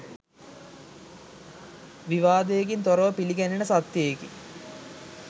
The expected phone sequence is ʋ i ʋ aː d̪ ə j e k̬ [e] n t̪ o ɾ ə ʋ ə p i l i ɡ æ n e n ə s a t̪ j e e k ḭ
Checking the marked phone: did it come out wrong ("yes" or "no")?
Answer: yes